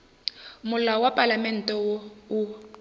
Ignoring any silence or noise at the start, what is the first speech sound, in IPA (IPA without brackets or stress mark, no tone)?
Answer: m